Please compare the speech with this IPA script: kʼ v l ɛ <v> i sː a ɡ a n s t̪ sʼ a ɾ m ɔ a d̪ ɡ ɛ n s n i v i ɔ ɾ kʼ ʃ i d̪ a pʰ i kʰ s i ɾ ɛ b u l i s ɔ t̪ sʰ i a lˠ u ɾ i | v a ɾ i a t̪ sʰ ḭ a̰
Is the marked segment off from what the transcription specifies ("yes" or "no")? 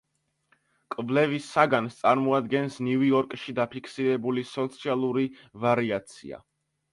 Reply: no